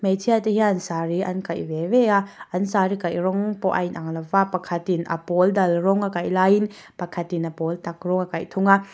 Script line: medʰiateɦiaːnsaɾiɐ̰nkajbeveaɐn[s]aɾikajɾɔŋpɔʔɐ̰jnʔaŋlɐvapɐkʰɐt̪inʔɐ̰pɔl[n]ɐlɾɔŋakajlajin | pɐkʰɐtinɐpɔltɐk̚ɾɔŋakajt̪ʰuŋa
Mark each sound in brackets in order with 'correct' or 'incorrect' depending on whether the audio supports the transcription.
correct, incorrect: d

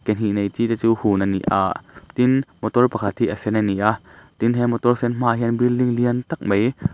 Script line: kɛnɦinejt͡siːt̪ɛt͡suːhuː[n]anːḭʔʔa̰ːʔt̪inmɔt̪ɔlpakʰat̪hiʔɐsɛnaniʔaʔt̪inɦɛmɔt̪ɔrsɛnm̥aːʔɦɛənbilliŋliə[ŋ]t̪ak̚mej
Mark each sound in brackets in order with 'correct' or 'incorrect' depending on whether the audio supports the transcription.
correct, incorrect: n

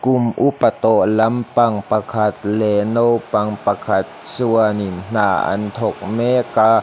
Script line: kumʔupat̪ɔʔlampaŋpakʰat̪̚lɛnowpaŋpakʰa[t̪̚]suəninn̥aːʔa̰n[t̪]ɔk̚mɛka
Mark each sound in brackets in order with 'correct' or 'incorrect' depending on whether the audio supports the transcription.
correct, incorrect: t̪ʰ

